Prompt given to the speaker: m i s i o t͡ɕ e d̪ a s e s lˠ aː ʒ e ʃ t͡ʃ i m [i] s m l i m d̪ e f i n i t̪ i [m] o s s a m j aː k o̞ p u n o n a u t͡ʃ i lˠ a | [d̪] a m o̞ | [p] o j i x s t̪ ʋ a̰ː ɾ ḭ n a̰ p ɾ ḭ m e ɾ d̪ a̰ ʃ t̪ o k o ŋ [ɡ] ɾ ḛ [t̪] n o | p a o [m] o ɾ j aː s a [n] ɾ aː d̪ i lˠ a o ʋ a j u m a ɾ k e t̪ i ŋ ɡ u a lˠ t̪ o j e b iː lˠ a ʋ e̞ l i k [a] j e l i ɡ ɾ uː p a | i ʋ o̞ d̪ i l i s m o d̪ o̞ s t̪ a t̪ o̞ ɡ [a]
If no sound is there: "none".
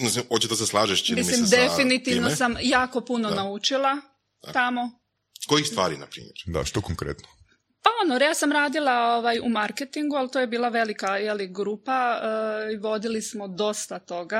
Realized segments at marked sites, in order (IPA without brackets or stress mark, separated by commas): i, n, t̪, k, k, t̪, n, m, a, a